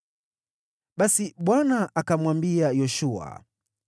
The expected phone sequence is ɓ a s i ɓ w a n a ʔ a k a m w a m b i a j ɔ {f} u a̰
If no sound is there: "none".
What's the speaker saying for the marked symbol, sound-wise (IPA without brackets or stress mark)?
ʃ